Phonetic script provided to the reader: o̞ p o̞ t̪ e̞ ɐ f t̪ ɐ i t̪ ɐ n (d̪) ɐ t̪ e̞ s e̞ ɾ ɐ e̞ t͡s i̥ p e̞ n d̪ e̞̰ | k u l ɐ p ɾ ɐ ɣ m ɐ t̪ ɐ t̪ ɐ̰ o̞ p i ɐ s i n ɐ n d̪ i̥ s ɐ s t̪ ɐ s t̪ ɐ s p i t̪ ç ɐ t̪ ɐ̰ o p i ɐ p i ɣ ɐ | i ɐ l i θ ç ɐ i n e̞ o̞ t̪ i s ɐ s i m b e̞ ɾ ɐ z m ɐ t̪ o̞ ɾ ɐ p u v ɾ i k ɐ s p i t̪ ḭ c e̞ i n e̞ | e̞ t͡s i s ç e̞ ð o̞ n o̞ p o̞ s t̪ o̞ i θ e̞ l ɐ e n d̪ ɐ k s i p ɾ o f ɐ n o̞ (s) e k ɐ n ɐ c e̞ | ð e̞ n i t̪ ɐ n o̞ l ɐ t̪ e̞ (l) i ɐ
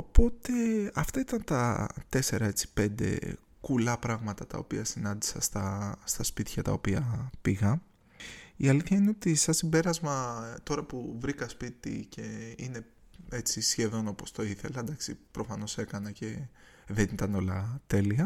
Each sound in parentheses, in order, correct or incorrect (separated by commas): incorrect, correct, correct